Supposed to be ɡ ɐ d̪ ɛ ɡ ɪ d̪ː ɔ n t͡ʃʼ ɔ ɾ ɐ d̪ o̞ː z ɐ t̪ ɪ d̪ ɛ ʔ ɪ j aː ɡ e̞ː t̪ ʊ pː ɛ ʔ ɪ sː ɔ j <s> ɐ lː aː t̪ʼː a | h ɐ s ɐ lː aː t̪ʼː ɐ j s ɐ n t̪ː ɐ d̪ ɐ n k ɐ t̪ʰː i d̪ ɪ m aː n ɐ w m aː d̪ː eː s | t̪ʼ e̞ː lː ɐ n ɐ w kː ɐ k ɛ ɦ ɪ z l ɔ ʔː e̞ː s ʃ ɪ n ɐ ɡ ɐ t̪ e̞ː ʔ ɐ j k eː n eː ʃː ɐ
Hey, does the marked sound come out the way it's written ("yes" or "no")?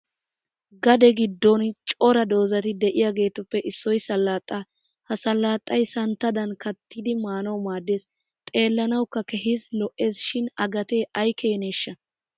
yes